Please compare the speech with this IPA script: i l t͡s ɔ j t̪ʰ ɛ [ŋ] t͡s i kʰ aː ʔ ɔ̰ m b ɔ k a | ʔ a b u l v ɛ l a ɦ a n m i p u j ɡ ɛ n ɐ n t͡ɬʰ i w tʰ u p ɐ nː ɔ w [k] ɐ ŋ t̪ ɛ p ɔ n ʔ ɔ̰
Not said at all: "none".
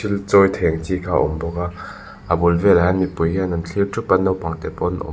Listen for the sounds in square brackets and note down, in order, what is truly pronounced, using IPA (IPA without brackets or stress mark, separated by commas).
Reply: ŋ, p